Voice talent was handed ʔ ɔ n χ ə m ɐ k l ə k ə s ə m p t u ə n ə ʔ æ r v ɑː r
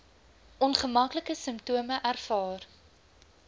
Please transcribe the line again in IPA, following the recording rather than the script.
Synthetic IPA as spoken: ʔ ɔ n χ ə m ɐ k l ə k ə s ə m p t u ə m ə ʔ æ r f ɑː r

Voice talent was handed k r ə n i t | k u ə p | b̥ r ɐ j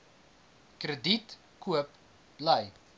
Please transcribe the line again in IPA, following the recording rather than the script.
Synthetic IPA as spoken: k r ə d i t | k u ə p | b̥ l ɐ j

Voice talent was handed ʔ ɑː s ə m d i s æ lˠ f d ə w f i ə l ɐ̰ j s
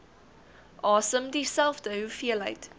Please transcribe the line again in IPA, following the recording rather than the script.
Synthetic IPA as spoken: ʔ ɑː s ə m d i s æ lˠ f d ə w f i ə l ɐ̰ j t

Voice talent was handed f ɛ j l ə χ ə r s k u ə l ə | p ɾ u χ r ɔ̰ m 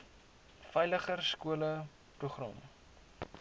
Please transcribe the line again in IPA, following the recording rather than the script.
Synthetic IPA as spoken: f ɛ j l ə χ ə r s k u ə l ə | p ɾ u χ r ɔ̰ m

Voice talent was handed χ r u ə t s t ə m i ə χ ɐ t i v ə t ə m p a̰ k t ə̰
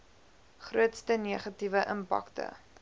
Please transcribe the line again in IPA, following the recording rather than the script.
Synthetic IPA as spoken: χ r u ə t s t ə n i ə χ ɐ t i v ə ʔ ə m p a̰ k t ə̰

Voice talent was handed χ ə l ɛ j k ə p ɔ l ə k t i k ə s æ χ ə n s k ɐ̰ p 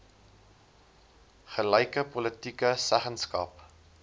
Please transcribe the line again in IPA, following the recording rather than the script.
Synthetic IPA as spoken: χ ə l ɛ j k ə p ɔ l ə t i k ə s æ χ ə n s k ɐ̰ p

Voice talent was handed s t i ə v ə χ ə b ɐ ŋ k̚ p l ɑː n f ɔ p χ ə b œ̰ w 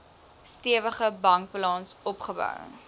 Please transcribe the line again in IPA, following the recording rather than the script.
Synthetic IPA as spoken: s t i ə v ə χ ə b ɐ ŋ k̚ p l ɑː n s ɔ p χ ə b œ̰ w

